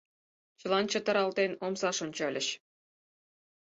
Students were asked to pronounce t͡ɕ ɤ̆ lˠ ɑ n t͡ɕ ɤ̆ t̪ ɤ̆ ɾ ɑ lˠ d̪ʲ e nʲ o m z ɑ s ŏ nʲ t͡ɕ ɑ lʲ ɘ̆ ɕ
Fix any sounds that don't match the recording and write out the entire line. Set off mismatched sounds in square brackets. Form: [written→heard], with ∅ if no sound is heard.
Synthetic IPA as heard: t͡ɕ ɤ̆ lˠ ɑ n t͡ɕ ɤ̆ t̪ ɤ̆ ɾ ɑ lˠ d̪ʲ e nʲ o m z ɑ [s→ʂ] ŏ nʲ t͡ɕ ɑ lʲ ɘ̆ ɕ